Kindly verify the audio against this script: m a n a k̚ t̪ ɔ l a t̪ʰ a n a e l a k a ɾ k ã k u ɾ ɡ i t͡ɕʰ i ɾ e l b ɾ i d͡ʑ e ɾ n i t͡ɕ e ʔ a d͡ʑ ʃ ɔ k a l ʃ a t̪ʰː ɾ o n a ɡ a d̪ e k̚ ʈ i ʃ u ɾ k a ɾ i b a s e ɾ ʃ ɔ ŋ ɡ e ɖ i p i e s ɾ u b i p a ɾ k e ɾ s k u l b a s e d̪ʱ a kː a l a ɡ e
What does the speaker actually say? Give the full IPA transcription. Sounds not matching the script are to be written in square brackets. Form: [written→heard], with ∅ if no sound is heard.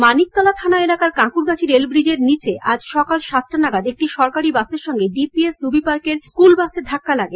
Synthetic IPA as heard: m a n [a→i] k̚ t̪ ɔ l a t̪ʰ a n a e l a k a ɾ k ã k u ɾ ɡ [i→a] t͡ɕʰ i ɾ e l b ɾ i d͡ʑ e ɾ n i t͡ɕ e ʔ a d͡ʑ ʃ ɔ k a l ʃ a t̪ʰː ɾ o n a ɡ a d̪ e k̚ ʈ i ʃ [u→ɔ] ɾ k a ɾ i b a s e ɾ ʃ ɔ ŋ ɡ e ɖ i p i e s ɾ u b i p a ɾ k e ɾ s k u l b a s e d̪ʱ a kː a l a ɡ e